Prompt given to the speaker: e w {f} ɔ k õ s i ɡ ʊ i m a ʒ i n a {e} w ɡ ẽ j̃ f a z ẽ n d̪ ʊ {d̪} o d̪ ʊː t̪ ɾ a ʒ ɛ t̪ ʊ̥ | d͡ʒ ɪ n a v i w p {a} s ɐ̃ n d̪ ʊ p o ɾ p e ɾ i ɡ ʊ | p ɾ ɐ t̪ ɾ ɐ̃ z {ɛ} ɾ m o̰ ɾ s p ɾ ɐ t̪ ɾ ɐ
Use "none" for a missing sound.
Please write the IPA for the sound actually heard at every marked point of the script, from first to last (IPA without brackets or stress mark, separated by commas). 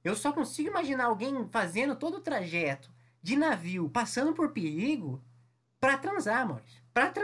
s, a, t̪, a, a